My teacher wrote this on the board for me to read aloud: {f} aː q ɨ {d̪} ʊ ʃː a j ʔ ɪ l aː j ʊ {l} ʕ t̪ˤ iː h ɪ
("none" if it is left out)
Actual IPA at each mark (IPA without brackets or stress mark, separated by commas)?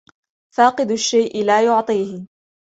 f, d̪, none